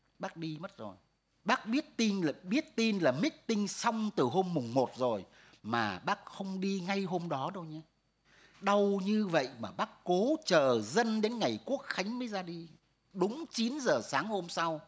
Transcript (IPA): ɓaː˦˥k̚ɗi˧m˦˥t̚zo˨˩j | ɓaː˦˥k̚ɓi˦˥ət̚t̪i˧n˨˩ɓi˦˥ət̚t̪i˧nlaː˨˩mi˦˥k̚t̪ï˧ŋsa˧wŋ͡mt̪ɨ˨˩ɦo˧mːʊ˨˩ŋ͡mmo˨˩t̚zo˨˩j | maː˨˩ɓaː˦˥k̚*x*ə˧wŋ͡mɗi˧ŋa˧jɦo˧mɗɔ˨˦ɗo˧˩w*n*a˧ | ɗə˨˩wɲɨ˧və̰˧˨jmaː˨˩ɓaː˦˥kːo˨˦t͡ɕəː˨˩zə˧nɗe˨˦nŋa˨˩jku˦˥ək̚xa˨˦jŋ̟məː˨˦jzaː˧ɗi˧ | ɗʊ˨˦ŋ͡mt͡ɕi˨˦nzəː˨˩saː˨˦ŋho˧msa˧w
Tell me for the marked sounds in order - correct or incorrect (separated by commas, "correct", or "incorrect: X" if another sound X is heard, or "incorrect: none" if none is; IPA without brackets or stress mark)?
correct, incorrect: ɲ